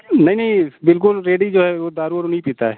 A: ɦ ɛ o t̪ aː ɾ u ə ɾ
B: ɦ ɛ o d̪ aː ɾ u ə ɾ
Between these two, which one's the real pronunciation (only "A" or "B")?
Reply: B